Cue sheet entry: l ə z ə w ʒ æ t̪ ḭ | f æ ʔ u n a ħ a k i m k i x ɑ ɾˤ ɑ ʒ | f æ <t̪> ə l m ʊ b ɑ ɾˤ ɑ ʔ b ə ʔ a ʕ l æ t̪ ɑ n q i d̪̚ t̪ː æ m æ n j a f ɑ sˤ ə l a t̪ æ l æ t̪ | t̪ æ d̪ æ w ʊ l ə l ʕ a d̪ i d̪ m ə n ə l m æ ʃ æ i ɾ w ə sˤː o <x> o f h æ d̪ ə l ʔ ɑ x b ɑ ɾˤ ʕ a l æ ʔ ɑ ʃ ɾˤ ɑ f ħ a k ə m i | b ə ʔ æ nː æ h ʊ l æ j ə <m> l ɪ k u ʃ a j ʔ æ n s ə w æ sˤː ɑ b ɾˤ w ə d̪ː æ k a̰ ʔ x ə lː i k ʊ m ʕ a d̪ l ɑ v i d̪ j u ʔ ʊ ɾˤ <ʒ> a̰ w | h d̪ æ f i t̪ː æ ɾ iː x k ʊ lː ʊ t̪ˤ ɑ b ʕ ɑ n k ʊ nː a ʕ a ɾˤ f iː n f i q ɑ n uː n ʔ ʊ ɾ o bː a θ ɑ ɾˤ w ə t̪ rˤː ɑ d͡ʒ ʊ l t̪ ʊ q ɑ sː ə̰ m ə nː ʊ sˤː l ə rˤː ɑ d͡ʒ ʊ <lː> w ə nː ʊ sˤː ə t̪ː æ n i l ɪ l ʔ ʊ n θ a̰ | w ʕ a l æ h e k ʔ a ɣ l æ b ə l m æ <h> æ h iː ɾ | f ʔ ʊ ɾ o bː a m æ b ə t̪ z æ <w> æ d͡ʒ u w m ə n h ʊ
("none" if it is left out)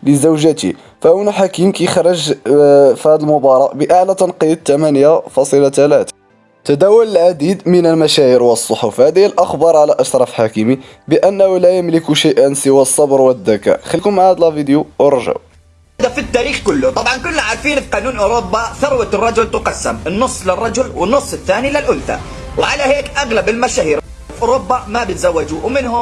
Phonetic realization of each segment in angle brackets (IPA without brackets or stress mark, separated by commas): d̪, ħ, m, ʒ, l, ʃ, wː